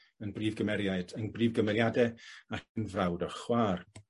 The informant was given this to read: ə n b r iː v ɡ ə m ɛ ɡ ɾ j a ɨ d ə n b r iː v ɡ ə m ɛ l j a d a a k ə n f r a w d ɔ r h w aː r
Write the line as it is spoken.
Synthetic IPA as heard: ə n b r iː v ɡ ə m ɛ ɾ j a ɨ d ə n b r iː v ɡ ə m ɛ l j a d ɛ a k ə n v r a w d ɔ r χ w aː r